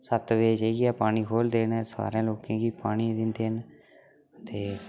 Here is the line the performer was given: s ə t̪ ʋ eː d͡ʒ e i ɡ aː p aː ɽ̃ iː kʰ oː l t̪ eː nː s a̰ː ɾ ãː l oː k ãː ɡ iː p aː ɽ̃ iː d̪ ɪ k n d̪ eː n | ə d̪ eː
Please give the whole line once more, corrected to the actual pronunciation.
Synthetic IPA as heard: s ə t̪ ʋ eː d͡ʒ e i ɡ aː p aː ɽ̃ iː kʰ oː l d̪ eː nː s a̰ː ɾ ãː l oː k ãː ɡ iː p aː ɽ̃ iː d̪ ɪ n d̪ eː n | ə t̪ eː